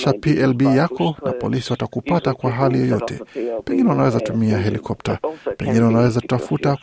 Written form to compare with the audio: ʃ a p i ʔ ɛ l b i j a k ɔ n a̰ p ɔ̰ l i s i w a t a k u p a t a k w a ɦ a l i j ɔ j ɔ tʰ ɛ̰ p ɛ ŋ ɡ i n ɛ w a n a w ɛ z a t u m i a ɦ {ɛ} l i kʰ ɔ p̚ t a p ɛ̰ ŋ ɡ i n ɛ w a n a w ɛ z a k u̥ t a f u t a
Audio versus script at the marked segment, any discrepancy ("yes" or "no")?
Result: no